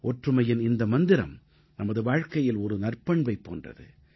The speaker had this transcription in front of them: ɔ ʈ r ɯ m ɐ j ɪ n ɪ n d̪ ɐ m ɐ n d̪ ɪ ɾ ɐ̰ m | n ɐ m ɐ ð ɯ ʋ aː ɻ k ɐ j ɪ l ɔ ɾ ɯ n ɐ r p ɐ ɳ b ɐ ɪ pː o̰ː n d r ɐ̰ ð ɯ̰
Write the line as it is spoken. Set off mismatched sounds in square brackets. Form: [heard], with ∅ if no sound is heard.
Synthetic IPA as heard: ɔ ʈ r ɯ m ɐ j ɪ n ɪ n d̪ ɐ m ɐ n d̪ ɪ ɾ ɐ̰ m | n ɐ m ɐ ð ɯ ʋ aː ɻ k ɐ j ɪ l ɔ ɾ ɯ n ɐ r p ɐ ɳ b ɐ ɪ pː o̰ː n d r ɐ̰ ð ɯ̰

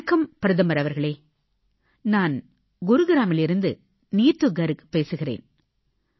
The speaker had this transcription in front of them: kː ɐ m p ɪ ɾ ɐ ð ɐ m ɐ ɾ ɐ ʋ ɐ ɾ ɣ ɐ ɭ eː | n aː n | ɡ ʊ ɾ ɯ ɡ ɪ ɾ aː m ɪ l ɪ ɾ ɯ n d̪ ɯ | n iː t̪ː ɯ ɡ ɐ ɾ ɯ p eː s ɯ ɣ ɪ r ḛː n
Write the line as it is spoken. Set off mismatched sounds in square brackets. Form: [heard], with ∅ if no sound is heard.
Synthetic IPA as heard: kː ɐ m p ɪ ɾ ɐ ð ɐ m ɐ ɾ ɐ ʋ ɐ ɾ ɣ ɐ ɭ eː | n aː n | ɡ ʊ ɾ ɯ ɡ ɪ ɾ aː m ɪ l ɪ ɾ ɯ n d̪ ɯ | n iː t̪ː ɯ ɡ ɐ ɾ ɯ p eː s ɯ ɣ ɪ r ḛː n

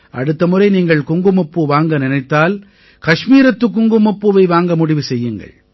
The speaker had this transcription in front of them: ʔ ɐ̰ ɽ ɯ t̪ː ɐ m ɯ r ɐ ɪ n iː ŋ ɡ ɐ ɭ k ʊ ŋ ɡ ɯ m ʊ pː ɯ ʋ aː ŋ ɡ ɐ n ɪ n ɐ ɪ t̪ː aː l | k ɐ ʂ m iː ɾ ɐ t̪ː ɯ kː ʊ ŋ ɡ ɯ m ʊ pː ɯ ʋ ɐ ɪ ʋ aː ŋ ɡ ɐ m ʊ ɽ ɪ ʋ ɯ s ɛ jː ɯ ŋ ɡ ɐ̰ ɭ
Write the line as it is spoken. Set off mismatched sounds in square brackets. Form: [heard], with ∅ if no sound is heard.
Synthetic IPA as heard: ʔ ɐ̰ ɽ ɯ t̪ː ɐ m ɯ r ɐ ɪ n iː ŋ ɡ ɐ ɭ k ʊ ŋ ɡ ɯ m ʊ pː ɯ ʋ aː ŋ ɡ ɐ n ɪ n ɐ ɪ t̪ː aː l | k ɐ ʂ m iː ɾ ɐ t̪ː ɯ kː ʊ ŋ ɡ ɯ m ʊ pː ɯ ʋ ɐ ɪ ʋ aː ŋ ɡ ɐ m ʊ ɽ ɪ ʋ ɯ s ɛ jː ɯ ŋ ɡ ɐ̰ ɭ

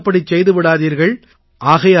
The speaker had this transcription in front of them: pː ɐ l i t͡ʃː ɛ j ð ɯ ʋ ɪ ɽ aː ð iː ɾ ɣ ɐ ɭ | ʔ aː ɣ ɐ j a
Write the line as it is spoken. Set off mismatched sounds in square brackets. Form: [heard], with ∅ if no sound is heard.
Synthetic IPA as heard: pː ɐ [ɽ] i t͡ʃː ɛ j ð ɯ ʋ ɪ ɽ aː ð iː ɾ ɣ ɐ ɭ | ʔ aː ɣ ɐ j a

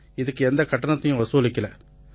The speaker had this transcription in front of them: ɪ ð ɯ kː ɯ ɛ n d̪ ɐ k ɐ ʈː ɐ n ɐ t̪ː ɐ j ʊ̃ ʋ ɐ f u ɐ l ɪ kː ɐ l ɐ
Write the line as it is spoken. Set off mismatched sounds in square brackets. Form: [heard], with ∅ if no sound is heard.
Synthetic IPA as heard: ɪ ð ɯ kː ɯ ɛ n d̪ ɐ k ɐ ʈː ɐ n ɐ t̪ː ɐ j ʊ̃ ʋ ɐ [s] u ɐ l ɪ kː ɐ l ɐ

